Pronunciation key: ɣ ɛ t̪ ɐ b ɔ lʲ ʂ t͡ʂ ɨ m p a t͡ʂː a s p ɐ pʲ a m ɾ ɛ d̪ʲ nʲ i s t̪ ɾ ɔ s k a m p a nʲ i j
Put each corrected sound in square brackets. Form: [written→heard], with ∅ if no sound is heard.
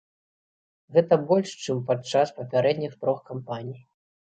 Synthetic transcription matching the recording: ɣ ɛ t̪ ɐ b ɔ lʲ ʂ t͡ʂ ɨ m p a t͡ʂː a s p ɐ pʲ a [m→∅] ɾ ɛ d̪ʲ nʲ i [s→x] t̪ ɾ ɔ [s→x] k a m p a nʲ i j